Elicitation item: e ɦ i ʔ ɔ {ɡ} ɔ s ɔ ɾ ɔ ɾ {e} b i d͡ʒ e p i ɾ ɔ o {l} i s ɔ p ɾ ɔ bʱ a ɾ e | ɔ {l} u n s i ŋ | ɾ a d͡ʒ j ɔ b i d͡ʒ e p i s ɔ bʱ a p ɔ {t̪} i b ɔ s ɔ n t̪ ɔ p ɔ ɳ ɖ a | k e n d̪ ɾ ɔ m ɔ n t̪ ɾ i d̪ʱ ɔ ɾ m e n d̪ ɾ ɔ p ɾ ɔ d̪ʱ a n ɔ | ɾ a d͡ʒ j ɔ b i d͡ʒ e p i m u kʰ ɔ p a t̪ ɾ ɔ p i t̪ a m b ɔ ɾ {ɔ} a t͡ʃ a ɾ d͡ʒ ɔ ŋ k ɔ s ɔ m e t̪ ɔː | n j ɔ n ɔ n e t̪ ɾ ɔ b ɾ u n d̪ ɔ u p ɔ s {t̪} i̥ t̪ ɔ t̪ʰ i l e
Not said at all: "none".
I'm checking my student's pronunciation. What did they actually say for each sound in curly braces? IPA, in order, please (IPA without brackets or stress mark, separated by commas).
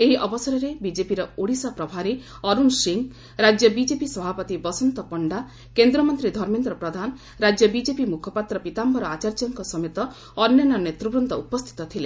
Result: b, e, ɽ, ɾ, t̪, ɔ, t̪ʰ